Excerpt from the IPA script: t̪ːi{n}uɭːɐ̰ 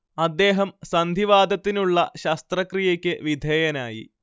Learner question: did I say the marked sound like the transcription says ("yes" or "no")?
yes